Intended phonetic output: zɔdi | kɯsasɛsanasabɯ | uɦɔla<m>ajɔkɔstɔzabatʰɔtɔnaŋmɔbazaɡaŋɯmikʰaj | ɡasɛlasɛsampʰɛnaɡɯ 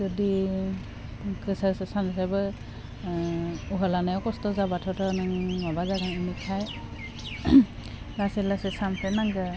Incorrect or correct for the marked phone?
incorrect: n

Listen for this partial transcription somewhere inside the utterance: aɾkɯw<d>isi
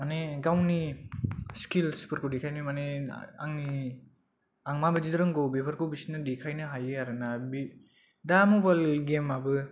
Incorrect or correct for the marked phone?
incorrect: b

